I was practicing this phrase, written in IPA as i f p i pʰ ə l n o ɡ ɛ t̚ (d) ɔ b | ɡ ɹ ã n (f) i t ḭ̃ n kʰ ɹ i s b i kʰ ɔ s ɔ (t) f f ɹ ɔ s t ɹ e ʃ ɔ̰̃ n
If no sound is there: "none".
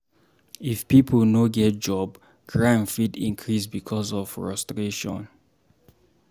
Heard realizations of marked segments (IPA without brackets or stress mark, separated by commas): d͡ʒ, f, none